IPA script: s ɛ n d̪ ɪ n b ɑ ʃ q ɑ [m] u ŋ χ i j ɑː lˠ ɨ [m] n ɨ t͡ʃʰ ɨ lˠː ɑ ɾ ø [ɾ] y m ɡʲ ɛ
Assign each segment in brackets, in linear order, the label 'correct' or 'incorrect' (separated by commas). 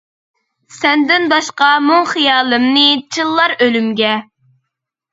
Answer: correct, correct, incorrect